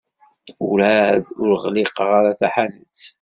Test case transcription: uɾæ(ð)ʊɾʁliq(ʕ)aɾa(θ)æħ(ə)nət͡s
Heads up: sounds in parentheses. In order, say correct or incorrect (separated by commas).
correct, incorrect, correct, incorrect